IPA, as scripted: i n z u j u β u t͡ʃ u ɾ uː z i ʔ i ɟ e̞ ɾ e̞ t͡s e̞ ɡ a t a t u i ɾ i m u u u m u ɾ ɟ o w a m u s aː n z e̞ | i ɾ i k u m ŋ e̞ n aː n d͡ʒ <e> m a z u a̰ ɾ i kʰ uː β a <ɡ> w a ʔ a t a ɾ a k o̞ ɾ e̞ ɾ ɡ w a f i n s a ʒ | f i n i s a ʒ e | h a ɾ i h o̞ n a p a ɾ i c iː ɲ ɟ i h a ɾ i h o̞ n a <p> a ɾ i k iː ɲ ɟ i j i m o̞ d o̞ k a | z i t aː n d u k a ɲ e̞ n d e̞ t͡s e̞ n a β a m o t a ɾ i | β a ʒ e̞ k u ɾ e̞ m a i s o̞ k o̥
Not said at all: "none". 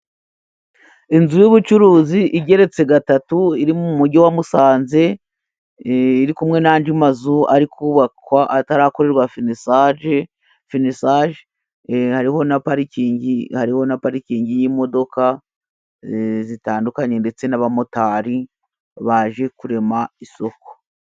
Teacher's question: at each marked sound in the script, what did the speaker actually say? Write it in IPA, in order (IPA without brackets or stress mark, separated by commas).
i, k, p